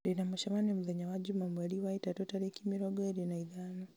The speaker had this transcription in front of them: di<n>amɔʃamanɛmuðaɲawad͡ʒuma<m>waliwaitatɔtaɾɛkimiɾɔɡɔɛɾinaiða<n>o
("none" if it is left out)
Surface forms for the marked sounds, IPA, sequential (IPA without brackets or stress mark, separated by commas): n, m, n